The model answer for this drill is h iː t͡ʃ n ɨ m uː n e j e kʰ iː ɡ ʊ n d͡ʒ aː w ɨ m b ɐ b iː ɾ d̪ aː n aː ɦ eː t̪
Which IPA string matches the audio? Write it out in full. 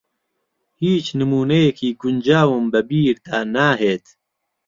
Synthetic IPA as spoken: h iː t͡ʃ n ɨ m uː n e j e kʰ iː ɡ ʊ n d͡ʒ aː w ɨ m b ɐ b iː ɾ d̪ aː n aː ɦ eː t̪